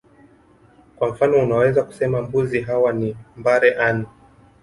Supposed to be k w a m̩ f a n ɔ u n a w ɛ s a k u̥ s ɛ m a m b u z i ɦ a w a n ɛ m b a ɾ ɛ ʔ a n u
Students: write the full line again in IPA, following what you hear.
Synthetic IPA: k w a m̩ f a n ɔ u n a w ɛ z a k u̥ s ɛ m a m b u z i ɦ a w a n i m b a ɾ ɛ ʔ a n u